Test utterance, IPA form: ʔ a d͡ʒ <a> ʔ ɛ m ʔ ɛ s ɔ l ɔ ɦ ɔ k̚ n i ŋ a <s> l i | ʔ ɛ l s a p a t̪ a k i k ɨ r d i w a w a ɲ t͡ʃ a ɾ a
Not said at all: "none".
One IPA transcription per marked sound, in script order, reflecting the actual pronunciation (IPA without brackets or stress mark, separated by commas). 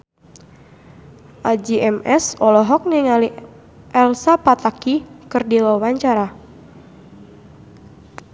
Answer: i, none